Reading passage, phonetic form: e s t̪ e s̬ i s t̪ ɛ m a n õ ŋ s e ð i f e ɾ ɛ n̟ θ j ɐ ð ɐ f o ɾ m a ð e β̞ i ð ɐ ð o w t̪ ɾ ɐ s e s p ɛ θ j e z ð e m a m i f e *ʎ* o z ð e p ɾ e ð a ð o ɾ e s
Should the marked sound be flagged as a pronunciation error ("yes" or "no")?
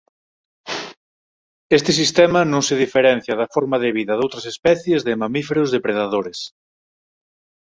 yes